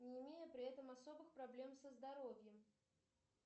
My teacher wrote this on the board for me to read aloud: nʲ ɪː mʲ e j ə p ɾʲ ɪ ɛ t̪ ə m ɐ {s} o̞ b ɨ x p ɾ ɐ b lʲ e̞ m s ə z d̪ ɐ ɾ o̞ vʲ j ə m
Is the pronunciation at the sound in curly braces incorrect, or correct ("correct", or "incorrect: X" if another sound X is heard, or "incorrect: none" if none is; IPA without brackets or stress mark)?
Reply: correct